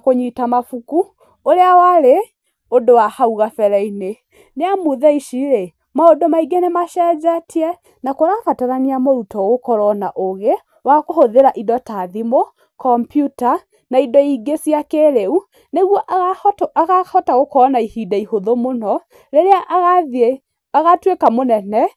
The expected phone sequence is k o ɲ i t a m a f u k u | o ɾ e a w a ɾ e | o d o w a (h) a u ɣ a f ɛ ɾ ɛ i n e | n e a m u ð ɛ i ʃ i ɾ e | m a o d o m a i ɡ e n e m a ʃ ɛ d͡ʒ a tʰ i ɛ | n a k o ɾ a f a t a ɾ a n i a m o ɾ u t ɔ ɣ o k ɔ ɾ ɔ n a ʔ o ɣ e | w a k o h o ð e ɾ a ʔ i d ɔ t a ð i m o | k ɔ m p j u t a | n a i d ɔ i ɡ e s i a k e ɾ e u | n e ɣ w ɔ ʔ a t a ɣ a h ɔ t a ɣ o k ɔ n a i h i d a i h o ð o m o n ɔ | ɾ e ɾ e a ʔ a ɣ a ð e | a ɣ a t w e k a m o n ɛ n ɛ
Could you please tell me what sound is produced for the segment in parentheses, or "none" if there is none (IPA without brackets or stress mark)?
h